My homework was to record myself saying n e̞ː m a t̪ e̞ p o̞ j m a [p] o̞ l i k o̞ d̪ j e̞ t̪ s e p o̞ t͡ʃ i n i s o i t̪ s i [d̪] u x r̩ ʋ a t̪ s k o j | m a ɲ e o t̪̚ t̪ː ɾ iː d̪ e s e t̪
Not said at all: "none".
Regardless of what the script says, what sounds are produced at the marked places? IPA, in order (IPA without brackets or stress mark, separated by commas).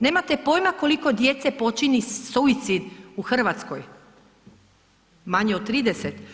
k, d̪